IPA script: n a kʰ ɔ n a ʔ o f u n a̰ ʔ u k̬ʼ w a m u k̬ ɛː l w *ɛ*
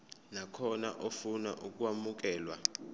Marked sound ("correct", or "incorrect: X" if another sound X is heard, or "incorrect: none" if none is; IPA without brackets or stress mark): incorrect: a